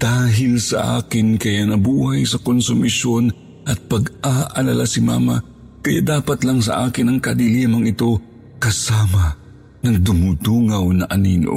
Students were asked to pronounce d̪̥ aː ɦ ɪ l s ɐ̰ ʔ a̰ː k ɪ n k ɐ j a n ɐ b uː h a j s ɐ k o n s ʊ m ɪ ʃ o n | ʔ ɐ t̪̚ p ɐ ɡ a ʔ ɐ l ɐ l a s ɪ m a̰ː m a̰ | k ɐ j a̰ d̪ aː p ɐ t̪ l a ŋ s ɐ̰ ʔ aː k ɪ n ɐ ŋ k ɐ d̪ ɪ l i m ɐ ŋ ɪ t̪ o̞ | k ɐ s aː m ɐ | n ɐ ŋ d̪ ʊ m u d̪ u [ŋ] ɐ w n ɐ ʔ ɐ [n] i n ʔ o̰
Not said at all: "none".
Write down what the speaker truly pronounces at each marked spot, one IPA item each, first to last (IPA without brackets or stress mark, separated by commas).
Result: ŋ, n